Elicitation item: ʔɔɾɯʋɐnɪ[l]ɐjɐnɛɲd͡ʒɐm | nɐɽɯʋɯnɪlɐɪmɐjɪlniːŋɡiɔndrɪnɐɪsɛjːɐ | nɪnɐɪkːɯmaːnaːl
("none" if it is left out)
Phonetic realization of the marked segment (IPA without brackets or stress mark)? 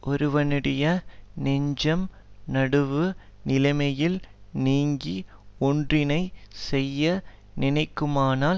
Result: ɽ